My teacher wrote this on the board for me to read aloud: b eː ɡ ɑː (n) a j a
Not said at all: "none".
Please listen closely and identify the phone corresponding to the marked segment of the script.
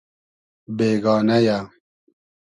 n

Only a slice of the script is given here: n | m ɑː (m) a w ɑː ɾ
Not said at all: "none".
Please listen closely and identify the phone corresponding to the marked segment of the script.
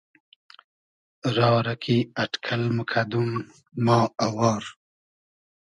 none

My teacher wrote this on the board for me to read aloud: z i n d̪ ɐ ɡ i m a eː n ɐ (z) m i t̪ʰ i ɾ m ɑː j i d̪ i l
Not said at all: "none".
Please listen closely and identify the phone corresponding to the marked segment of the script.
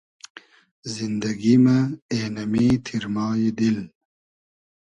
none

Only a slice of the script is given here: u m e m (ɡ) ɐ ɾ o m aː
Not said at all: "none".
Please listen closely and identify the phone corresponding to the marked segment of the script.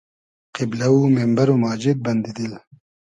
b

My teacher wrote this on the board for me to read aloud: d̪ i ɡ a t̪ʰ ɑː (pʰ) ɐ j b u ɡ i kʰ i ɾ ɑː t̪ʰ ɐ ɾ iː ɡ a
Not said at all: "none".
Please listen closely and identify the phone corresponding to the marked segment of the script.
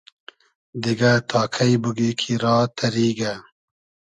kʰ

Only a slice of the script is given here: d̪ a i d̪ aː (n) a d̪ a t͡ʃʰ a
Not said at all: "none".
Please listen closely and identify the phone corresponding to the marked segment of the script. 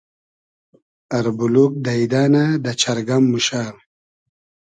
n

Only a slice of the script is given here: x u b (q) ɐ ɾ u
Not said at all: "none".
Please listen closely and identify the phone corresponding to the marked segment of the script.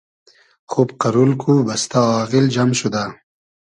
q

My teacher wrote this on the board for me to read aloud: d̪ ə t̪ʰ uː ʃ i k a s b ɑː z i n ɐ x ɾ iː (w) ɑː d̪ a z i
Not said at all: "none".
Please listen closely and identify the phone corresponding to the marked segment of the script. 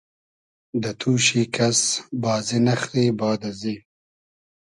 b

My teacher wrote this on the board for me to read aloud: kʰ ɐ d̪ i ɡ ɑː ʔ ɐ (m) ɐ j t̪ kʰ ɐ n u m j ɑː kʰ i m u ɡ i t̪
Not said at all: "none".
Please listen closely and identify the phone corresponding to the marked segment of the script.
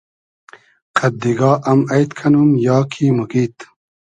m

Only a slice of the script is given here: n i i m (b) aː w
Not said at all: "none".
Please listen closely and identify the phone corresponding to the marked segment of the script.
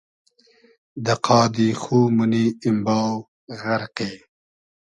b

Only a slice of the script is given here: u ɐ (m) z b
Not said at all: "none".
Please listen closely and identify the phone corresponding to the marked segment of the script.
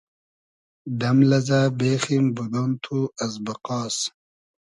none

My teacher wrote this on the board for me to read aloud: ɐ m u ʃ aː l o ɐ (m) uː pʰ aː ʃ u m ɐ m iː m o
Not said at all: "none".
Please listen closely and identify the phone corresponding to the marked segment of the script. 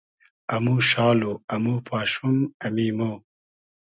m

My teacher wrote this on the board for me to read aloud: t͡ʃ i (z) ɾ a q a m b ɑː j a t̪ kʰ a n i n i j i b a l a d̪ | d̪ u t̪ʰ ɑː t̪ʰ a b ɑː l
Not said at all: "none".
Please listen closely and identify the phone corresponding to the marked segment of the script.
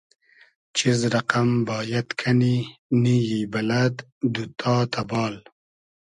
z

